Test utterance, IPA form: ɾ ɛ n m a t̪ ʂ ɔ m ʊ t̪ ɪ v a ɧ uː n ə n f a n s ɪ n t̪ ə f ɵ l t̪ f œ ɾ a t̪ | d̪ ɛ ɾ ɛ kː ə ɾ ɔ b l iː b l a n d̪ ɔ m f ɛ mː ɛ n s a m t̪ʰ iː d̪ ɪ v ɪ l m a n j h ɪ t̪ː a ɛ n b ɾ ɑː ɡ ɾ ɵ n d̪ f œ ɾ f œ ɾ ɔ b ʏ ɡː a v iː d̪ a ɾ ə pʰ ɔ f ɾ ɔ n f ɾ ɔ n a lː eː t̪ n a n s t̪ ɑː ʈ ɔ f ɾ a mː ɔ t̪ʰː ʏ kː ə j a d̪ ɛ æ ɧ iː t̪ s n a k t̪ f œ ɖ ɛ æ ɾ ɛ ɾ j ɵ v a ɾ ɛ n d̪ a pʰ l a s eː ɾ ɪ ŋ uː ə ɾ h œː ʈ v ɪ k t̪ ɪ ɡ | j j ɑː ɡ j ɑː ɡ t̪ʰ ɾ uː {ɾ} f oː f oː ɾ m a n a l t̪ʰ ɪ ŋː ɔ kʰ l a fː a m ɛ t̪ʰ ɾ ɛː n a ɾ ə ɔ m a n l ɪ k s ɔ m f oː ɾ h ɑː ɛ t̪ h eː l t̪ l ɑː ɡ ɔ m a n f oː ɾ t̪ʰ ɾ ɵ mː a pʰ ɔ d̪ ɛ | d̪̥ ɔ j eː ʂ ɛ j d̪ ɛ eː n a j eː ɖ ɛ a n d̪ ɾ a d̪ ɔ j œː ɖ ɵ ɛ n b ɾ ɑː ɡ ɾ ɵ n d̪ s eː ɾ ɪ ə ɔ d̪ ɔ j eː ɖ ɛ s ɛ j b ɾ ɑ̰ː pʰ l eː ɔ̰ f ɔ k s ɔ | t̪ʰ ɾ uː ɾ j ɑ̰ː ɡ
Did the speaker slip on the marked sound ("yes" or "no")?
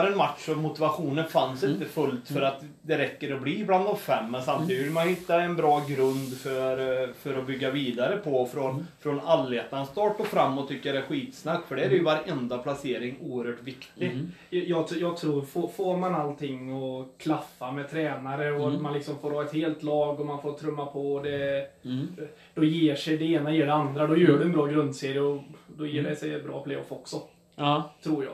no